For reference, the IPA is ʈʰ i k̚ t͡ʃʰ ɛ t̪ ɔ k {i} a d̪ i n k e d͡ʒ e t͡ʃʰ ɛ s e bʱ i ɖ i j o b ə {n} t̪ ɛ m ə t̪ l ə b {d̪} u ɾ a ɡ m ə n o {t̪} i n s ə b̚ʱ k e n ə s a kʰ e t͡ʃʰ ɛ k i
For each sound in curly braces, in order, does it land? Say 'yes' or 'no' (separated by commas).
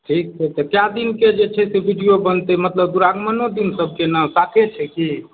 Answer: no, yes, yes, no